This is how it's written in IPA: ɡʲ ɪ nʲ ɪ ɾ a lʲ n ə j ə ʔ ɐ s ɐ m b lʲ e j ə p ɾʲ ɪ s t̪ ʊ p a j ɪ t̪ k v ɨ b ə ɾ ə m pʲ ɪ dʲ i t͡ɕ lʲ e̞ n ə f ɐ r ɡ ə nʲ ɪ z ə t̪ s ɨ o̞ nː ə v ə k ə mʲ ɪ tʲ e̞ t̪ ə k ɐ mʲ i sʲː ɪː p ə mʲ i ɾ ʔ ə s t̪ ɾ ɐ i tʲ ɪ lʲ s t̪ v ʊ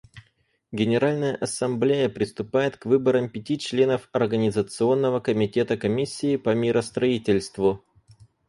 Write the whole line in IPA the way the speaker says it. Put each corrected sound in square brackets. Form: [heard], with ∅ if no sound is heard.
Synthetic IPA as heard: ɡʲ ɪ nʲ ɪ ɾ a lʲ n ə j ə ʔ ɐ s ɐ m b lʲ e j ə p ɾʲ ɪ s t̪ ʊ p a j ɪ t̪ k v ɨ b ə ɾ ə m pʲ ɪ [tʲ] i t͡ɕ lʲ e̞ n ə f ɐ r ɡ ə nʲ ɪ z ə t̪ s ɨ o̞ nː ə v ə k ə mʲ ɪ tʲ e̞ t̪ ə k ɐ mʲ i sʲː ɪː p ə mʲ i ɾ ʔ ə s t̪ ɾ ɐ i tʲ ɪ lʲ s t̪ v ʊ